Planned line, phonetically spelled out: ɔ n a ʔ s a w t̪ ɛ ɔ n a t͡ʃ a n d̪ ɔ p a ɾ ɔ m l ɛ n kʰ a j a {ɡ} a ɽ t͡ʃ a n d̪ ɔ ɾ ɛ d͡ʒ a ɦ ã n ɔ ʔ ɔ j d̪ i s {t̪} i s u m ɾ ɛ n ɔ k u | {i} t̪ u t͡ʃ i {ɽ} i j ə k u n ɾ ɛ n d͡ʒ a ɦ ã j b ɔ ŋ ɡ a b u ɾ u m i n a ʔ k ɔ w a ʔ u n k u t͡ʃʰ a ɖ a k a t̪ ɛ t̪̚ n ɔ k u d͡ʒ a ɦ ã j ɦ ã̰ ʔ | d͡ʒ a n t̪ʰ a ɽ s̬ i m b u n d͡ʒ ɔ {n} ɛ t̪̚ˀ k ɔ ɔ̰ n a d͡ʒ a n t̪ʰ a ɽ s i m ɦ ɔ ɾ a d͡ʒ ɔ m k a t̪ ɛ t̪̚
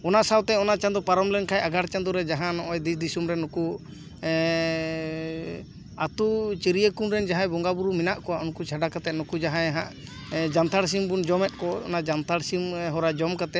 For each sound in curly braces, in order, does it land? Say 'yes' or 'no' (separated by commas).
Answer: yes, no, no, no, no